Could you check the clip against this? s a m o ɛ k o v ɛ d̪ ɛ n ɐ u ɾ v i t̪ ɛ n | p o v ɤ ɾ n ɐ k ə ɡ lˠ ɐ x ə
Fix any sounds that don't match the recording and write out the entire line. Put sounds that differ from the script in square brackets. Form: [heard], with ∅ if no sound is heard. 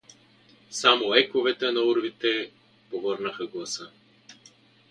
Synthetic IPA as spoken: s a m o ɛ k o v ɛ [t̪] ɛ n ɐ u ɾ v i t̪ ɛ [∅] | p o v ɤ ɾ n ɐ [x] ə ɡ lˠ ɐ [s] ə